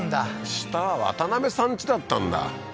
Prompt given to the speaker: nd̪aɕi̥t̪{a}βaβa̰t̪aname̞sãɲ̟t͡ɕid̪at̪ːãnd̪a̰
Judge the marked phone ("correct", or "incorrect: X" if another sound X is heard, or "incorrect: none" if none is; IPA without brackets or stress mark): correct